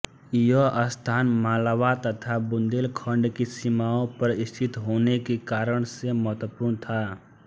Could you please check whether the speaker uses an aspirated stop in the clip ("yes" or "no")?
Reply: yes